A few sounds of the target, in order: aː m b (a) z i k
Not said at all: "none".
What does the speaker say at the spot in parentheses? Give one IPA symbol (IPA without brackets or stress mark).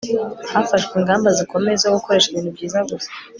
a